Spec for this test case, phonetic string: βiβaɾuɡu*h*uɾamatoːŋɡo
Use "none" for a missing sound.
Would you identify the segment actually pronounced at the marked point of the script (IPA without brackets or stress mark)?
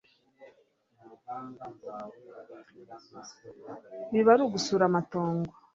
s